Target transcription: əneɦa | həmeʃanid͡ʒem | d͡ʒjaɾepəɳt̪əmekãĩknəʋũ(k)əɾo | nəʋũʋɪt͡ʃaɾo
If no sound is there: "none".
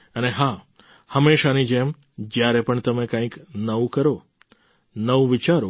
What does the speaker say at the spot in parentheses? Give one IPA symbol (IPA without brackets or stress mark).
k